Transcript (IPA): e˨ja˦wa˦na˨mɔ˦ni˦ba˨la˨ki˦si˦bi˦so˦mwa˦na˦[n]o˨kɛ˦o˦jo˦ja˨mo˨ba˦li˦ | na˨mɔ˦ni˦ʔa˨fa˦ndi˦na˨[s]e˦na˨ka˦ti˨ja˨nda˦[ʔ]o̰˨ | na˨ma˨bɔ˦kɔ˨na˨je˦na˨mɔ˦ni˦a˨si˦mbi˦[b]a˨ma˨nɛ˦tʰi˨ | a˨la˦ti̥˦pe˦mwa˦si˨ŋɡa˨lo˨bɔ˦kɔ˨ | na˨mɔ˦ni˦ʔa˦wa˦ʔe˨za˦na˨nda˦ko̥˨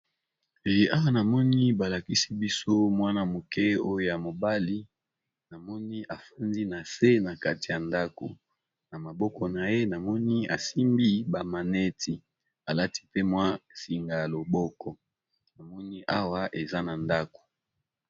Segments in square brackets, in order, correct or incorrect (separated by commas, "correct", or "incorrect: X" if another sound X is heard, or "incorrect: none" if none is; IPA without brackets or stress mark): incorrect: m, correct, incorrect: k, correct